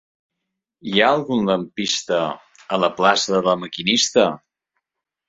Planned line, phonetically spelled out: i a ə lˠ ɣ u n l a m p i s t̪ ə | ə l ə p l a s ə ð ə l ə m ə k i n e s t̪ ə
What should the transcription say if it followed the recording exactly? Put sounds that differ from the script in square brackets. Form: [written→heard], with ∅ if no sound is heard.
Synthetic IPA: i a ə lˠ ɣ u n l [a→ə] m p i s t̪ ə | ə l ə p l a s ə ð ə l ə m ə k i n [e→i] s t̪ ə